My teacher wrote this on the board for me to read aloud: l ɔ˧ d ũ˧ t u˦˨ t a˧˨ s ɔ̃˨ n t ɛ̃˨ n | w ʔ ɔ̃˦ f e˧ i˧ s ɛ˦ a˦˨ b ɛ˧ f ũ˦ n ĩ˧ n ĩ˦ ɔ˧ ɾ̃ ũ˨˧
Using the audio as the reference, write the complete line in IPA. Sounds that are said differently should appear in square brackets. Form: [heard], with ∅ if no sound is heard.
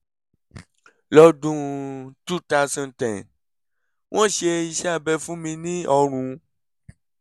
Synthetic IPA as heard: l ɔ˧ d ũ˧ t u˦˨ t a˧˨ s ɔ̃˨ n t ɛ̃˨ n | w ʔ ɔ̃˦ [ʃ] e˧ i˧ [ʃ] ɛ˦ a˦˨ b ɛ˧ f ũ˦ [m] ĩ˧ n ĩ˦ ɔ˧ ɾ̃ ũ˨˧